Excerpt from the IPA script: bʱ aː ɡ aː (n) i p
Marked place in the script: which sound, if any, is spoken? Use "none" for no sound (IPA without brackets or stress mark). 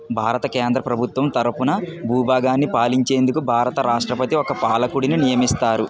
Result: nː